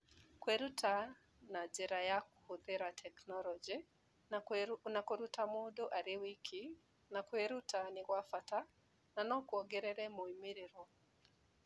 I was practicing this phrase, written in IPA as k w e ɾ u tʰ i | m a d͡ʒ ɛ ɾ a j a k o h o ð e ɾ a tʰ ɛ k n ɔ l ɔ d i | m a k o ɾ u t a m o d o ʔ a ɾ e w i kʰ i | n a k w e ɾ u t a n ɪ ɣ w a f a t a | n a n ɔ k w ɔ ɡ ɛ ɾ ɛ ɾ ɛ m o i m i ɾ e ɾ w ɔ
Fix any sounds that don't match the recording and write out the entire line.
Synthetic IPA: k w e ɾ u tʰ a | n a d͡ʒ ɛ ɾ a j a k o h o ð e ɾ a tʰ ɛ k n ɔ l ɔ d͡ʒ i | n a k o ɾ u t a m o d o ʔ a ɾ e w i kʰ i | n a k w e ɾ u t a n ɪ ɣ w a f a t a | n a n ɔ k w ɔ ɡ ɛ ɾ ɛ ɾ ɛ m o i m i ɾ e ɾ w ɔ